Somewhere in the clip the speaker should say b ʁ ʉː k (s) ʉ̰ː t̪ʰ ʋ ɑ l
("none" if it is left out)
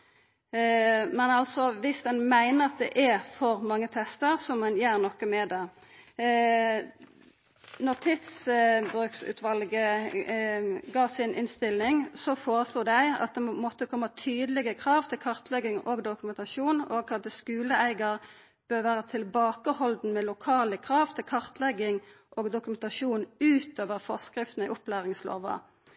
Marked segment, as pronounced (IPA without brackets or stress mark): s